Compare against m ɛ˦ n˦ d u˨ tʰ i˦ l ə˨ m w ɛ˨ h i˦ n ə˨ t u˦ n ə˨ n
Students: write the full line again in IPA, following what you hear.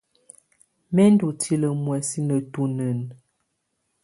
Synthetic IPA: m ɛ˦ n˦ d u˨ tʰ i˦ l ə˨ m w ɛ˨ s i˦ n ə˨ t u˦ n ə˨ n